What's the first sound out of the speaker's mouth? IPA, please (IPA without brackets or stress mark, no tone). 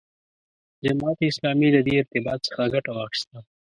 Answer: d͡ʒ